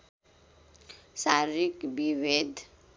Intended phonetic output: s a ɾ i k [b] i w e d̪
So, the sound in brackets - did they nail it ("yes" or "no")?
yes